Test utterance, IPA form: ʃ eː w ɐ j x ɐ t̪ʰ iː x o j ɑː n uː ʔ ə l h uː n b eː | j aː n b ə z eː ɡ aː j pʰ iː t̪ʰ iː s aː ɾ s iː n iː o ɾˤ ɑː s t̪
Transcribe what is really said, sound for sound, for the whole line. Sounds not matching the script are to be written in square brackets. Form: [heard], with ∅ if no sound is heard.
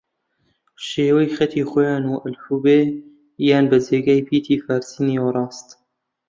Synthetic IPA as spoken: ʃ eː w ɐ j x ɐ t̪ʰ iː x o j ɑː n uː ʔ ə l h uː [∅] b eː | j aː n b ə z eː ɡ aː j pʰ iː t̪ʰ iː [f] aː ɾ s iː n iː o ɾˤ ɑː s t̪